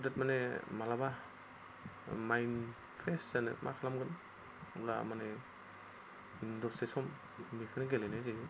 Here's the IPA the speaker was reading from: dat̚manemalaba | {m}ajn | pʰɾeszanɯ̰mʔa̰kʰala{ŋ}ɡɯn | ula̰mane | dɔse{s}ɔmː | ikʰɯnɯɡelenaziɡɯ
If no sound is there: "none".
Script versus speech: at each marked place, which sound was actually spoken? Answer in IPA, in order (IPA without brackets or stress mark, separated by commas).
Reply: m, m, s